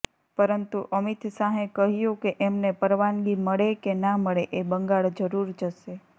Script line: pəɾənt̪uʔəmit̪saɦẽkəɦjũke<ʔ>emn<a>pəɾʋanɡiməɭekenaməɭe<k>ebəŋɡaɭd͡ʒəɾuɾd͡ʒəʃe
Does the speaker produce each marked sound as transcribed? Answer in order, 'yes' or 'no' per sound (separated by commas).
yes, no, no